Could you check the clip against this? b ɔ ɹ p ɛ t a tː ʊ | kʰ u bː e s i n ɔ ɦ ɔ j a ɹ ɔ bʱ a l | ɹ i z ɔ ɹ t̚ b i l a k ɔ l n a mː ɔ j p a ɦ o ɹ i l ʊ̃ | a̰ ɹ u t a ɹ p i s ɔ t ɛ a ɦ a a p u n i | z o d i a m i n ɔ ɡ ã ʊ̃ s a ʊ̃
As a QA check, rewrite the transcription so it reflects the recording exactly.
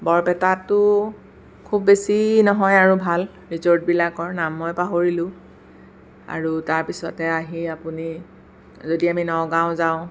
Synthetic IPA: b ɔ ɹ p ɛ t a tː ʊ | kʰ u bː e s i n ɔ ɦ ɔ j a ɹ u bʱ a l | ɹ i z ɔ ɹ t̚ b i l a k ɔ ɹ n a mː ɔ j p a ɦ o ɹ i l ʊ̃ | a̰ ɹ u t a ɹ p i s ɔ t ɛ a ɦ i a p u n i | z o d i a m i n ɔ ɡ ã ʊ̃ z a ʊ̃